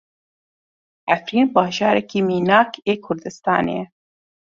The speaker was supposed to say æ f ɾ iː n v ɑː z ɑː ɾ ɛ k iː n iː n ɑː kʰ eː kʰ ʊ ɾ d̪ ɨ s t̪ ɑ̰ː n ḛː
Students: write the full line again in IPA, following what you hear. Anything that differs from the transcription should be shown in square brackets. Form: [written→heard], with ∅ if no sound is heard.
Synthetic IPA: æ f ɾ iː n [v→b] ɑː [z→ʒ] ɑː ɾ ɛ k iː [n→m] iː n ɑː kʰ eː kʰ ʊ ɾ d̪ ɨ s t̪ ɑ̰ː n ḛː